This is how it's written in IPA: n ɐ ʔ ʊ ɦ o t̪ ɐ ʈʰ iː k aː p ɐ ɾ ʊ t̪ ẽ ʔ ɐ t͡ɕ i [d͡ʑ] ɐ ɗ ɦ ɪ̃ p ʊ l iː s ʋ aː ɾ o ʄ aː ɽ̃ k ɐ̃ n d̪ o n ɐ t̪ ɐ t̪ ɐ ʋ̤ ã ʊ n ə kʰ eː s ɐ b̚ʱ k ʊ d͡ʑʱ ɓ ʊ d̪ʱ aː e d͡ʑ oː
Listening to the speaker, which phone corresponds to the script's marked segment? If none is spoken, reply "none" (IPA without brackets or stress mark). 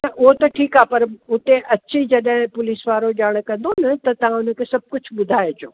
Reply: d͡ʑ